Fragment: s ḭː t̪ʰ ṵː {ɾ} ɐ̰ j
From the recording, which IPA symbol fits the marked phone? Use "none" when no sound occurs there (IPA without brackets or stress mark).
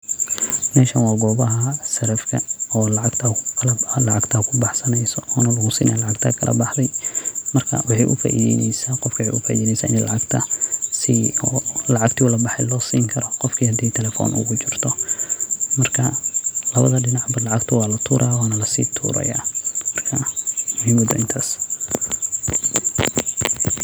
ɾ